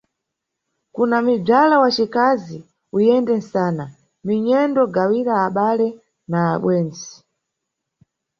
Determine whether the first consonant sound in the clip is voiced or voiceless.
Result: voiceless